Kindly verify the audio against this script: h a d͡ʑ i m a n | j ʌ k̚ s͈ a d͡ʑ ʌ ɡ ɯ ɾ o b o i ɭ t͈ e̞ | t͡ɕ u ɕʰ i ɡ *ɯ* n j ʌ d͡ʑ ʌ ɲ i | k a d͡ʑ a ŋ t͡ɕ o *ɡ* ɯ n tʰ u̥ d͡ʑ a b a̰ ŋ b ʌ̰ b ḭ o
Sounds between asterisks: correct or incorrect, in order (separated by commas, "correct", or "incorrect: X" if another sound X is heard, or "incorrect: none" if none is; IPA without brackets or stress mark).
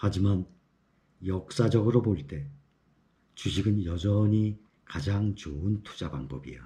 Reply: correct, incorrect: none